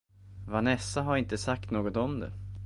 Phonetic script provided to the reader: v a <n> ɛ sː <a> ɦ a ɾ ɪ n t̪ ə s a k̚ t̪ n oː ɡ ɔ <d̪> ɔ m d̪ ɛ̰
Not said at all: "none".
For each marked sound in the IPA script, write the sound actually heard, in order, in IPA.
n, a, t̪

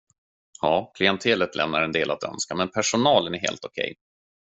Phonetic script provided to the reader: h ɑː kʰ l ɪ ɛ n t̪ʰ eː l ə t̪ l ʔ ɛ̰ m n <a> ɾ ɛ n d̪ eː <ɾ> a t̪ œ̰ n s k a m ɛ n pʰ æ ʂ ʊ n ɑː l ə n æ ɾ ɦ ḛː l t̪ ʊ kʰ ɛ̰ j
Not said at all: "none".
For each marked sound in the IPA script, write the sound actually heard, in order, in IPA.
a, l

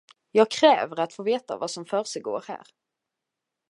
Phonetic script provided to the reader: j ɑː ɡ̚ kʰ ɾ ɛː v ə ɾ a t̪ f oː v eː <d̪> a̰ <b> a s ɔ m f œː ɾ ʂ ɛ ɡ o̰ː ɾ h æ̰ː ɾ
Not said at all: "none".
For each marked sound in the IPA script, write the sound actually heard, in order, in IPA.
t̪, v

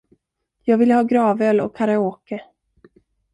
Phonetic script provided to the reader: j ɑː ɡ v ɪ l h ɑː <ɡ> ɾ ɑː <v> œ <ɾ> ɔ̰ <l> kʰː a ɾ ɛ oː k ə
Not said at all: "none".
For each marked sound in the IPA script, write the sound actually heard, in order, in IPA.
ɡ, v, l, none

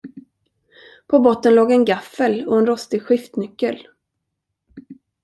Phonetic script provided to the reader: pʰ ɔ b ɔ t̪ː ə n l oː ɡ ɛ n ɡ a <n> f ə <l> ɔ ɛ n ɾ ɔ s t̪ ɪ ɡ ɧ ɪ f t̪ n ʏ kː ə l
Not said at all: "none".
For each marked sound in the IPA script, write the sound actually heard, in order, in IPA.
none, l

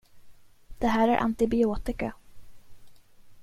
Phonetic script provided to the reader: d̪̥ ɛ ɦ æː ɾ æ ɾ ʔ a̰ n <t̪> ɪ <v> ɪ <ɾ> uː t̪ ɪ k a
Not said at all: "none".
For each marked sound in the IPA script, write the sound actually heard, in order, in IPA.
t̪, b, none

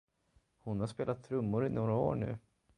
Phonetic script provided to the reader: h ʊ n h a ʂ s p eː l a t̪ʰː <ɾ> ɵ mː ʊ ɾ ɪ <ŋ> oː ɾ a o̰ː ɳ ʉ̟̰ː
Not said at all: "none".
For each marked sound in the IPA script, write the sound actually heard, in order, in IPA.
ɾ, n

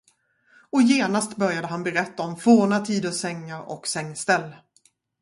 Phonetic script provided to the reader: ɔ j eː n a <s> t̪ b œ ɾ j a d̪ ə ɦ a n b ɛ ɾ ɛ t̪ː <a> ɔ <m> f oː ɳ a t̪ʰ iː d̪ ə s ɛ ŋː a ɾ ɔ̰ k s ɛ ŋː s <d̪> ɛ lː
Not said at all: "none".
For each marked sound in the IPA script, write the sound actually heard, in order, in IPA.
s, a, m, t̪

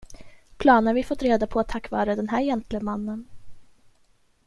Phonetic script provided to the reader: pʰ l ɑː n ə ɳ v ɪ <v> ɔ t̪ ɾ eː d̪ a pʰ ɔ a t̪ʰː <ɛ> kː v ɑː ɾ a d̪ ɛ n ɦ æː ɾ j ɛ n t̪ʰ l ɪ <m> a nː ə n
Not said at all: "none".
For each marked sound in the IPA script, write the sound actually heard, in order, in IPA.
f, a, m

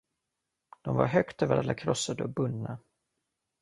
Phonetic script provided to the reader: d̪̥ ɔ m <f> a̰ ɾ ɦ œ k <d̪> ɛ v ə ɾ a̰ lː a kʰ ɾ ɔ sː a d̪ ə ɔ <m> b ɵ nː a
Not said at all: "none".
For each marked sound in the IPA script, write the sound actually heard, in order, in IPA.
v, t̪, none

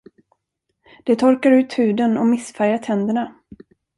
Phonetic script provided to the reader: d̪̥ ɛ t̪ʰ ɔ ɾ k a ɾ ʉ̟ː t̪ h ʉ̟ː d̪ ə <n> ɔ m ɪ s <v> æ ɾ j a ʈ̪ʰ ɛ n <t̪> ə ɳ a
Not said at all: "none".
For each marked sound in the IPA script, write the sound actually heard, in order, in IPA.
n, f, d̪

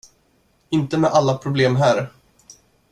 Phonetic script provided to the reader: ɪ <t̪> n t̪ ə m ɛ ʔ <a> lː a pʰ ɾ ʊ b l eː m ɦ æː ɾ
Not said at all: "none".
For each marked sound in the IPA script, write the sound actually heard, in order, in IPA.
none, a

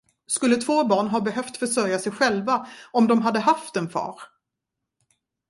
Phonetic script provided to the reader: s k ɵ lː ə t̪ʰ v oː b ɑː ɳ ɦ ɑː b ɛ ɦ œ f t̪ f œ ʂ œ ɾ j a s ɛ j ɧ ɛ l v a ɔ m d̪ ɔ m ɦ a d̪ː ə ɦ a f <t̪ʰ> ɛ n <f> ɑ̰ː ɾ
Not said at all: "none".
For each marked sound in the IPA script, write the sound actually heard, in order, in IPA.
t̪, f

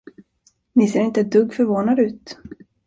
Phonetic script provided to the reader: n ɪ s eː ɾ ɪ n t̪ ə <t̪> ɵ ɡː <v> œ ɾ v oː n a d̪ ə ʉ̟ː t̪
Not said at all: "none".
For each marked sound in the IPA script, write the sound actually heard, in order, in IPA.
d̪, f

